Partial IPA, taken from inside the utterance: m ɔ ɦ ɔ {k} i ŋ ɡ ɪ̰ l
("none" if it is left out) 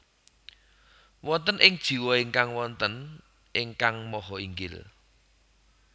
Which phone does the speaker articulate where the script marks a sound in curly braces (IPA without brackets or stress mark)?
none